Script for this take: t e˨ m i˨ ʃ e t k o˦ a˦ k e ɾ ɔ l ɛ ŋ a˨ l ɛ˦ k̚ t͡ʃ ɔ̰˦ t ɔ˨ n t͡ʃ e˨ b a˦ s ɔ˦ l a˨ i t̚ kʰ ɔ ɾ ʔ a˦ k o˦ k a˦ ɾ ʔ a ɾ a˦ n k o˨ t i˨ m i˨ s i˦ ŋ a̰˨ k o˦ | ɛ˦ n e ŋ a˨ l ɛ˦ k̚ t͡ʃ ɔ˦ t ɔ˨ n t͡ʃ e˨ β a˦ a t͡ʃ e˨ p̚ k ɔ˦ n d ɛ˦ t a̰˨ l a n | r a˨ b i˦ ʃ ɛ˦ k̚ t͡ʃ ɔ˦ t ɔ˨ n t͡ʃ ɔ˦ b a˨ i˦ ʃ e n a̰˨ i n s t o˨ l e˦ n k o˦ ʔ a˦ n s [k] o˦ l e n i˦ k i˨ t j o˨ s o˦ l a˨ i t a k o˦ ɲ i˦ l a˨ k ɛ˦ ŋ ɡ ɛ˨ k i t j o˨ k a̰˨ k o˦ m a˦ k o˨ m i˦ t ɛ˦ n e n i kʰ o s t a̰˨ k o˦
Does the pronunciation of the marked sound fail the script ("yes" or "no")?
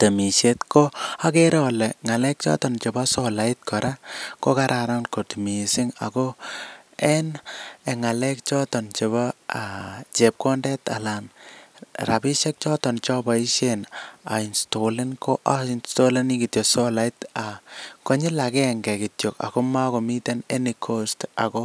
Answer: yes